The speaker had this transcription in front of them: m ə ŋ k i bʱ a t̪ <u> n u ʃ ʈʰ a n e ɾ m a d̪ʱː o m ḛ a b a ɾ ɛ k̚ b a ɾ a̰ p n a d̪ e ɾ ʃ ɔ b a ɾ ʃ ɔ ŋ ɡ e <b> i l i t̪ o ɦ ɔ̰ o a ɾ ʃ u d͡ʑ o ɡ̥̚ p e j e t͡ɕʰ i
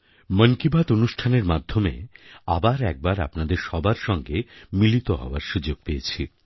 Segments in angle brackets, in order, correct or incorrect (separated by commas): incorrect, incorrect